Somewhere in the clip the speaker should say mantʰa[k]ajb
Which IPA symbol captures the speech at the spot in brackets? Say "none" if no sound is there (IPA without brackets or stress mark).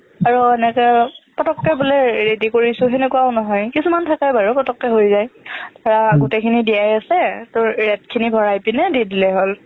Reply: k